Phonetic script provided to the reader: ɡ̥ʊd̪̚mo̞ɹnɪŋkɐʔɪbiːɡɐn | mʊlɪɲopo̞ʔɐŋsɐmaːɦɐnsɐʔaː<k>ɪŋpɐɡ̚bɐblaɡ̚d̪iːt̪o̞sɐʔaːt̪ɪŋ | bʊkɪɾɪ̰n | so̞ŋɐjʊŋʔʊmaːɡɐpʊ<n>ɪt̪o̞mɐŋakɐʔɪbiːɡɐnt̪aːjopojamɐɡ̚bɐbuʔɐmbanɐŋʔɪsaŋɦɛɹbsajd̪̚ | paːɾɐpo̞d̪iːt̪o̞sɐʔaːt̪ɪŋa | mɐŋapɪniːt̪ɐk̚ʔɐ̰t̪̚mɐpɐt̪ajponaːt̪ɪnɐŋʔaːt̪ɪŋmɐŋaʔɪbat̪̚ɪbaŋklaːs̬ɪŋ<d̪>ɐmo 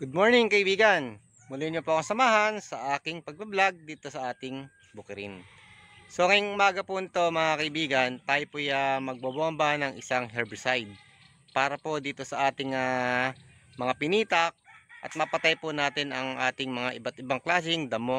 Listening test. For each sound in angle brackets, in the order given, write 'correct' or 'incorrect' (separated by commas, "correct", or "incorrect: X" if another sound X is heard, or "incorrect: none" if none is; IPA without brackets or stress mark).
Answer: correct, correct, correct